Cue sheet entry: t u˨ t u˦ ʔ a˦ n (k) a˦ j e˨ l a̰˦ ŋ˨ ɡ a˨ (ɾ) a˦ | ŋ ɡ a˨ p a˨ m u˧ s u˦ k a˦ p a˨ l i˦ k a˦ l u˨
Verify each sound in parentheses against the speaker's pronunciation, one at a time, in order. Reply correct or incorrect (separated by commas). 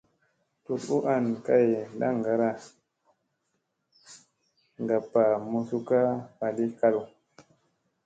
correct, correct